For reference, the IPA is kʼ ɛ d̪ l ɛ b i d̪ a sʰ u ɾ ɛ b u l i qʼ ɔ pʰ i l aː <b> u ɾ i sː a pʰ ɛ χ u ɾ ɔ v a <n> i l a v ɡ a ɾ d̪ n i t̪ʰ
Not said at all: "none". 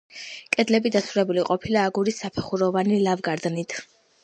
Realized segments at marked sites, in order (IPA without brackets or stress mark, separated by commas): ɡ, n